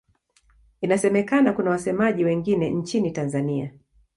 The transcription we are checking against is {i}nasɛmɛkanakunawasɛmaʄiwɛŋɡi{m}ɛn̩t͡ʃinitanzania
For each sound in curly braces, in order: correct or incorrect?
correct, incorrect: n

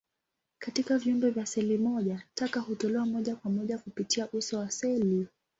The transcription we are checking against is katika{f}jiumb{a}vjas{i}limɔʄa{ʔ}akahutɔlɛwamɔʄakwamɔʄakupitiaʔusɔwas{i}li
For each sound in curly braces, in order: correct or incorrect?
incorrect: v, incorrect: ɛ, incorrect: ɛ, incorrect: t, incorrect: ɛ

